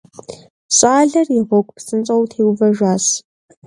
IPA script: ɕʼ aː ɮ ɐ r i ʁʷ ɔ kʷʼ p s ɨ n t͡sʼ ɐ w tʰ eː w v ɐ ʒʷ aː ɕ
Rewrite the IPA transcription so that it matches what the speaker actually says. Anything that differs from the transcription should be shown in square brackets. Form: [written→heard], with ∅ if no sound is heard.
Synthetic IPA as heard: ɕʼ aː ɮ ɐ r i ʁʷ ɔ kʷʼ p s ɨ n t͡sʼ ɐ w tʰ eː w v ɐ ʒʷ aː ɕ